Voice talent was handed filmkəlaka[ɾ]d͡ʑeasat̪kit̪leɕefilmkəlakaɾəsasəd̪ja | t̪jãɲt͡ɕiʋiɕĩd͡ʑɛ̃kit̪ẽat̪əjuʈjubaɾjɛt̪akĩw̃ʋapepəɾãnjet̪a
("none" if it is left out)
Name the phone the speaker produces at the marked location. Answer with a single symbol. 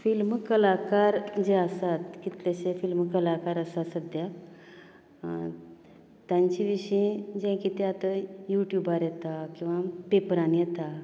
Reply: ɾ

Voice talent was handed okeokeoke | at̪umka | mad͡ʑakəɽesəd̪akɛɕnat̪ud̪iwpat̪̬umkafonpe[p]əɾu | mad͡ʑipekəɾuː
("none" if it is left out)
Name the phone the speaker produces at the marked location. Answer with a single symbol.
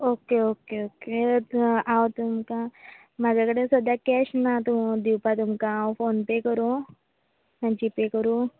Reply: k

